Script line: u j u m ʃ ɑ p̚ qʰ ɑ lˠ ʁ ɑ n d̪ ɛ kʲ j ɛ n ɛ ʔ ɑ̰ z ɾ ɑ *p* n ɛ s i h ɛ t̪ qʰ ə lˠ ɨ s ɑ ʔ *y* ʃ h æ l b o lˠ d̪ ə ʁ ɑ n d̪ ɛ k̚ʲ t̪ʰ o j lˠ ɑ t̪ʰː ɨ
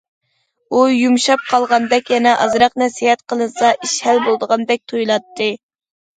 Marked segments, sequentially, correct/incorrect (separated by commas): incorrect, incorrect